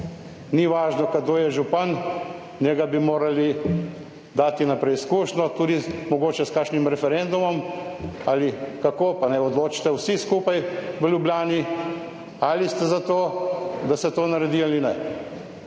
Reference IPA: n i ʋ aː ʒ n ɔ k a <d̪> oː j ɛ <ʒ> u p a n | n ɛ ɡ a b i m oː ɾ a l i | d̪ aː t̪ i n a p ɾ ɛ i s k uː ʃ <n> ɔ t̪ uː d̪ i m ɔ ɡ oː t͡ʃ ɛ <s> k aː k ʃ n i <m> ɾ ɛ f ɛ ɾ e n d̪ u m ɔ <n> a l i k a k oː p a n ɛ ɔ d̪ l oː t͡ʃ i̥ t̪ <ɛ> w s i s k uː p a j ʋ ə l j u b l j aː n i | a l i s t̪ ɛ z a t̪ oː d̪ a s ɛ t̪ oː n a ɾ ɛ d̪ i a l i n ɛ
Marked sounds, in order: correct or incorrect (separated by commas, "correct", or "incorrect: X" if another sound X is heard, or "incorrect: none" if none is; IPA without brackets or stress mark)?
correct, correct, correct, correct, correct, incorrect: m, correct